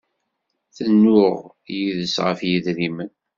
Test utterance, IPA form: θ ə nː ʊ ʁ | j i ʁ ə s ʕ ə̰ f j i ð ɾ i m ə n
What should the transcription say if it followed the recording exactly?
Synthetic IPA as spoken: θ ə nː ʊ ʁ | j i ð ə s ʁ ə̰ f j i ð ɾ i m ə n